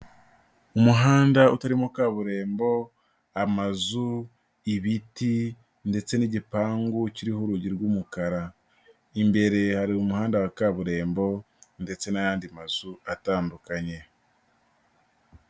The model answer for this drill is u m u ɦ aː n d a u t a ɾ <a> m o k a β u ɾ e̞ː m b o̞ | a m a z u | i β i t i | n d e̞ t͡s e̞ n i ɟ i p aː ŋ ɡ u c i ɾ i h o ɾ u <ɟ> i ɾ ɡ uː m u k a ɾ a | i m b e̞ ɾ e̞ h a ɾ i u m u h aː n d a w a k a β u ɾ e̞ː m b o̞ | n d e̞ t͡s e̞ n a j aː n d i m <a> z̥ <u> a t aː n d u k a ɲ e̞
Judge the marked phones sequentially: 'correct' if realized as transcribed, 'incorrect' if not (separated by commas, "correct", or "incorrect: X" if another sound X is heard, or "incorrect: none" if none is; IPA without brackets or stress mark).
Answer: incorrect: i, correct, correct, correct